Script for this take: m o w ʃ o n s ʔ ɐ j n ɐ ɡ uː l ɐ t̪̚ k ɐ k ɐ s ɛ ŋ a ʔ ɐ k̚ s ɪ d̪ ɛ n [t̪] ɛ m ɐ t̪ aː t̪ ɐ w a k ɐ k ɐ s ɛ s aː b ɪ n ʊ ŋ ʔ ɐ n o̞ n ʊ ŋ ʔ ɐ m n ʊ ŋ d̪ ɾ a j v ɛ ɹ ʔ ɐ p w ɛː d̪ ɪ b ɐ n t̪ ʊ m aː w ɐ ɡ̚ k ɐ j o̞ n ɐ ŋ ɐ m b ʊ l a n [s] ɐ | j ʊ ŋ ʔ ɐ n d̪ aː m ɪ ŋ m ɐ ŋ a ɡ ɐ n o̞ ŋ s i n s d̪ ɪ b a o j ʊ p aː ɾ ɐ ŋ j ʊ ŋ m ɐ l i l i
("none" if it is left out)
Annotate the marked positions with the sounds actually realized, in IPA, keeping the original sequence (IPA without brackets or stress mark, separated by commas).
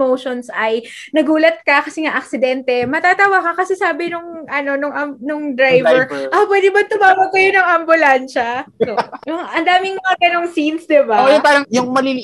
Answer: t̪, ʃ